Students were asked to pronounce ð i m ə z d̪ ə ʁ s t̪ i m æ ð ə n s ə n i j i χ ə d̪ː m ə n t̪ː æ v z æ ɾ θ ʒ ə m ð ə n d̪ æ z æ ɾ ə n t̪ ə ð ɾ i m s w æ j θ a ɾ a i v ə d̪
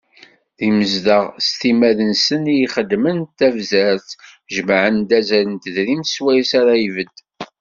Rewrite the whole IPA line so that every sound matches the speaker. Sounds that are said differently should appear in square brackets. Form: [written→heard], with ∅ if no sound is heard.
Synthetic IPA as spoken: ð i m ə z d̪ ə ʁ s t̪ i m æ ð ə n s ə n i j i χ ə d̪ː m ə n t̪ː æ v z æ ɾ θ ʒ ə m [ð→ʕ] ə n d̪ æ z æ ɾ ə n t̪ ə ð ɾ i m s w æ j [θ→s] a ɾ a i v ə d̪